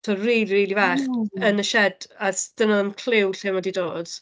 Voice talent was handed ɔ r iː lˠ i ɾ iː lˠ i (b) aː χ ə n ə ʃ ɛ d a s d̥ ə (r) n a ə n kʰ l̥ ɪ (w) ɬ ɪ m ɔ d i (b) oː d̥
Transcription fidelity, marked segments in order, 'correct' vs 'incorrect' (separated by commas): incorrect, incorrect, correct, incorrect